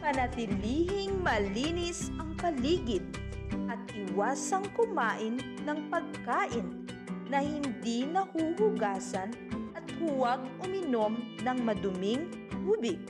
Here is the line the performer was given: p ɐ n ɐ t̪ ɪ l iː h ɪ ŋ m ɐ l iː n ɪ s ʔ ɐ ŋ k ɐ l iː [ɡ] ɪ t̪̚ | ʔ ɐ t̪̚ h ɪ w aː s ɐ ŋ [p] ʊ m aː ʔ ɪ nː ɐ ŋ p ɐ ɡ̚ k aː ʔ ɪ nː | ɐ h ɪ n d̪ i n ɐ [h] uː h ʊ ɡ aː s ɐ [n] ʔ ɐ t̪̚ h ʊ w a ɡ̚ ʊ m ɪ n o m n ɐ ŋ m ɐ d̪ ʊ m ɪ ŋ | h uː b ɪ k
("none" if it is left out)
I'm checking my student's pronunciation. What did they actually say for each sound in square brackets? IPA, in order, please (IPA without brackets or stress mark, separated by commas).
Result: ɡ, k, h, n